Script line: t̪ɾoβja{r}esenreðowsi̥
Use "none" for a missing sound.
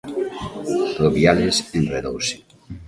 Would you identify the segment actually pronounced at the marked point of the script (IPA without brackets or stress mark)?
l